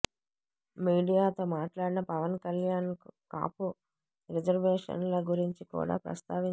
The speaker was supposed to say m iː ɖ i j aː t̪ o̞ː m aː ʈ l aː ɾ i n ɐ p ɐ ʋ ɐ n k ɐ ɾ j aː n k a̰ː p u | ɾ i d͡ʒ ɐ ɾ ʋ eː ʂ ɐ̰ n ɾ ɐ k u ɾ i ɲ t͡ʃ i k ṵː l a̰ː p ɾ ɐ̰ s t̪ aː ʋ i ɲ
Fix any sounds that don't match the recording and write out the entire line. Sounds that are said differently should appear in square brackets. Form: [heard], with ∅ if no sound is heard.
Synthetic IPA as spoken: m iː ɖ i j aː t̪ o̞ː m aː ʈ l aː [ɽ] i n ɐ p ɐ ʋ ɐ n k ɐ [l] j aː n k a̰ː p u | ɾ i d͡ʒ ɐ ɾ ʋ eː ʂ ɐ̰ n [l] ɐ [ɡ] u ɾ i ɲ t͡ʃ i k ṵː [ɽ] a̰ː p ɾ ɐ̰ s t̪ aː ʋ i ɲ